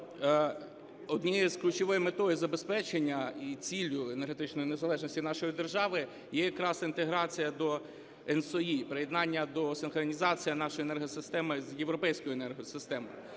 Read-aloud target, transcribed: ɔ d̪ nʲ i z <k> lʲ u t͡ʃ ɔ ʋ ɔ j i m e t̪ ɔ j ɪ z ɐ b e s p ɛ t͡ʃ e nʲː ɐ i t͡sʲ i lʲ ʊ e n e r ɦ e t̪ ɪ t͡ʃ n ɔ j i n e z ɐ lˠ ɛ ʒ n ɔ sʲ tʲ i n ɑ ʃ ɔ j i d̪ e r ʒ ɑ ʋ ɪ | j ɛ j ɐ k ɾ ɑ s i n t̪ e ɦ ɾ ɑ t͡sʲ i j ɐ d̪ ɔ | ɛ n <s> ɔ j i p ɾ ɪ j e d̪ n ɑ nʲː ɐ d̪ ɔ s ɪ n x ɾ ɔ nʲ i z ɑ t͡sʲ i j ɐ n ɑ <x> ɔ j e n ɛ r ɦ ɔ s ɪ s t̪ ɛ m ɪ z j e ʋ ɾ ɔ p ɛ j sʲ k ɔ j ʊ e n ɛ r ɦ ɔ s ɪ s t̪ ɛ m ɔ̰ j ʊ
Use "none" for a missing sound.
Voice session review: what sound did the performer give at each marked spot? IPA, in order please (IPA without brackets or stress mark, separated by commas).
k, s, ʃ